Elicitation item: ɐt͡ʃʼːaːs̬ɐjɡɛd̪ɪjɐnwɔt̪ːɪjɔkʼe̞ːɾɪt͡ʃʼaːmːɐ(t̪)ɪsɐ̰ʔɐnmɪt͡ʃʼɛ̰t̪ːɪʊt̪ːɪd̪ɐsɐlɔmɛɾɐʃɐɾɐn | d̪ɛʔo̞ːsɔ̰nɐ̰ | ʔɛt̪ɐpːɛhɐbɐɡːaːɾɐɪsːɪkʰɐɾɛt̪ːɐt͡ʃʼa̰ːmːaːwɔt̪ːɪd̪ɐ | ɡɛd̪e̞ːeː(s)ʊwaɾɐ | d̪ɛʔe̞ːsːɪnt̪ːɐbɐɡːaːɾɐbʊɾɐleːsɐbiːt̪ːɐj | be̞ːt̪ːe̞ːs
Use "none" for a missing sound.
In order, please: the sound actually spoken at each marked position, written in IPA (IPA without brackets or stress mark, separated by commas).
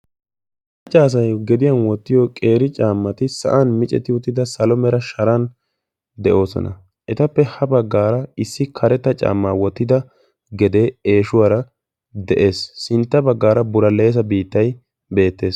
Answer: t̪, ʃ